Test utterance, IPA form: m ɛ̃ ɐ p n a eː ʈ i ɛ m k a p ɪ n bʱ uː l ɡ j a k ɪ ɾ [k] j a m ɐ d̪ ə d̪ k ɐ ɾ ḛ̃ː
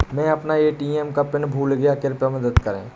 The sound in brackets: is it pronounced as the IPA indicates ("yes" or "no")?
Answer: no